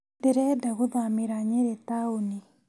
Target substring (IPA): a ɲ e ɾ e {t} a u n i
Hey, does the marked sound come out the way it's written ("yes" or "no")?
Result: yes